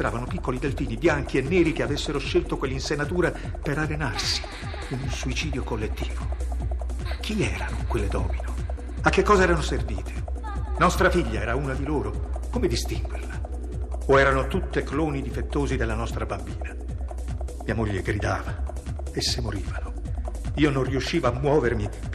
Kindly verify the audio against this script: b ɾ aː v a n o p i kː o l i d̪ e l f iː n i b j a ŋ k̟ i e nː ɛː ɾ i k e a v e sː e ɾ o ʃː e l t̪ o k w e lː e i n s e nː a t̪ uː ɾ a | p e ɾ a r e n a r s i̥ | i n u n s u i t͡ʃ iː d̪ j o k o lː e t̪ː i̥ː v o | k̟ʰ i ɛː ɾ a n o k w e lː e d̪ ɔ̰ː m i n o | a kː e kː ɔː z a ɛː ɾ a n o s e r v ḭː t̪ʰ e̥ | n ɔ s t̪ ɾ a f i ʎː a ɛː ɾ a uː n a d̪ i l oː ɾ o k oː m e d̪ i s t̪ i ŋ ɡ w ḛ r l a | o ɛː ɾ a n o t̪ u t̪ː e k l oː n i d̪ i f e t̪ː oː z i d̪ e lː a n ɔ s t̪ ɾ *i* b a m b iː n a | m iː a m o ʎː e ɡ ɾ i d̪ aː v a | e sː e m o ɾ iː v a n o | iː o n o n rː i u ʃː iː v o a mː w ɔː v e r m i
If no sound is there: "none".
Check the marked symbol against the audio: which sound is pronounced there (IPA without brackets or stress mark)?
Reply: a